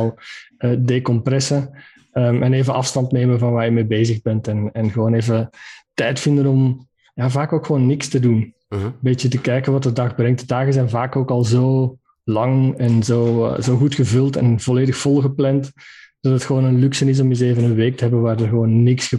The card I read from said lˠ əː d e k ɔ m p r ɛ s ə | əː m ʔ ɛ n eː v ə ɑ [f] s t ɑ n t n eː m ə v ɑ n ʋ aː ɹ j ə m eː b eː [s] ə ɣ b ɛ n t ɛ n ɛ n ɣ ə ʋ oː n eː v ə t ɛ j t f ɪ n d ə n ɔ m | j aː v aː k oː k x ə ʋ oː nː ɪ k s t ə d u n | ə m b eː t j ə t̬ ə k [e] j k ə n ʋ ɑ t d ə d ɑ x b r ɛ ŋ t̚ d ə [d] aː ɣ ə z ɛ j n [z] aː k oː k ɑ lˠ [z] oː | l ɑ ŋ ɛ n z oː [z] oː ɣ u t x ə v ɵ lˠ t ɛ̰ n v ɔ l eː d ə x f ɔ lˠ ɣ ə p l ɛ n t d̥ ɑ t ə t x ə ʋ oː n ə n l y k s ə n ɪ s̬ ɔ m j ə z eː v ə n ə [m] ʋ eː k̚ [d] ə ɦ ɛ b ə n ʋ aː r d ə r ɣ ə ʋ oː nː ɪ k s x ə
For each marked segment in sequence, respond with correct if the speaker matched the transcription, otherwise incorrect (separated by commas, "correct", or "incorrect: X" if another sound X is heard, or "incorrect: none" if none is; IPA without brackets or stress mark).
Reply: correct, incorrect: z, incorrect: ɛ, correct, incorrect: v, correct, correct, incorrect: n, incorrect: t